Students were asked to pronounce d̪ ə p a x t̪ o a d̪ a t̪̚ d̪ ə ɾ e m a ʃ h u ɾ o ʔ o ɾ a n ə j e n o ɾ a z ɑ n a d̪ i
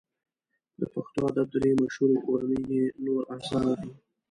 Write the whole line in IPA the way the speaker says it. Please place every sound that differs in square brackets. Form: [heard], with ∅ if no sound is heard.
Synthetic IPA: d̪ ə p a x t̪ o a d̪ a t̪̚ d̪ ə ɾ e m a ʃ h u ɾ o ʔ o ɾ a n ə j e n o ɾ a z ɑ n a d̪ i